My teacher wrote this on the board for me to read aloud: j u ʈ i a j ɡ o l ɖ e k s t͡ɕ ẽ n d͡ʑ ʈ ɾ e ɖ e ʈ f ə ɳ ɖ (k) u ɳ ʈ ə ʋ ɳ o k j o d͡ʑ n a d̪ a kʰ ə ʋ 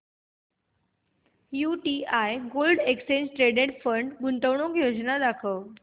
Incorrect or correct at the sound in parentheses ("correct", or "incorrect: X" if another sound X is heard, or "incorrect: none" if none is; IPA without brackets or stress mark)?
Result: incorrect: ɡ